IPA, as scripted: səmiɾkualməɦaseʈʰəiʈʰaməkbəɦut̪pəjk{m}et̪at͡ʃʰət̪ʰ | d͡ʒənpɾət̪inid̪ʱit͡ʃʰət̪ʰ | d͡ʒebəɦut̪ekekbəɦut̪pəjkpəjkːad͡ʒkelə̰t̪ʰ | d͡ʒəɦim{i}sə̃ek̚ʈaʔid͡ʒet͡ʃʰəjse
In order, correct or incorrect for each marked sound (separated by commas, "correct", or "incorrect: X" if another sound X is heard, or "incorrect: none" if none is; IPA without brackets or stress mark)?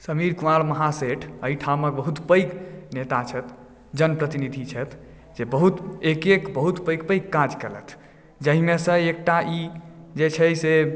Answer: incorrect: n, incorrect: e